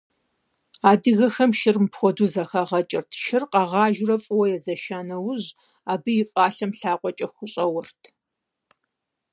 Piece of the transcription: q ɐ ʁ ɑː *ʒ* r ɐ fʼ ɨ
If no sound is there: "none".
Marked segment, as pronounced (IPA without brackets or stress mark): ʒ